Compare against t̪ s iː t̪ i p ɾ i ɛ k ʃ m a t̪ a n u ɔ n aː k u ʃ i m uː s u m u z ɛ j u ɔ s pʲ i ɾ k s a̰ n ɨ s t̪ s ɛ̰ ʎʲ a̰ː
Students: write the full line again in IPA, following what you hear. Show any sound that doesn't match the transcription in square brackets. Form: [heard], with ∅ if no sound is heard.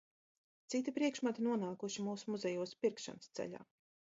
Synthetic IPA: t̪ s [i] t̪ i p ɾ i ɛ k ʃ m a t̪ [i] n u ɔ n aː k u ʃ i m uː s u m u z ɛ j u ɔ s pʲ i ɾ k [ʃ] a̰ n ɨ s t̪ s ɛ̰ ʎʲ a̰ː